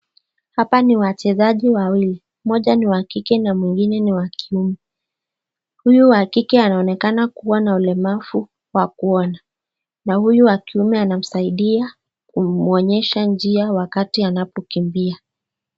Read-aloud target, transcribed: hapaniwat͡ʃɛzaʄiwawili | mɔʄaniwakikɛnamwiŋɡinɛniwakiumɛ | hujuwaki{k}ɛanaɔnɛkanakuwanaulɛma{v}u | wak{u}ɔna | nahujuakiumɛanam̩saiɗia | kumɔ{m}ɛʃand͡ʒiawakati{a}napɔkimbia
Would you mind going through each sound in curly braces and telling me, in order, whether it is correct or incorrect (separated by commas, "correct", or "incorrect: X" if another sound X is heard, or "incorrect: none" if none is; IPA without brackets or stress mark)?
correct, incorrect: f, correct, incorrect: ɲ, correct